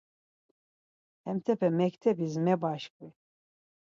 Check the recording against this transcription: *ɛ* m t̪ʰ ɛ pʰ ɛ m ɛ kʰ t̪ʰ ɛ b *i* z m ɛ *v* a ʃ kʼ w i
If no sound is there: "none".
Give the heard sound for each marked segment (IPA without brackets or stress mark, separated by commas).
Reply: ɛ, i, b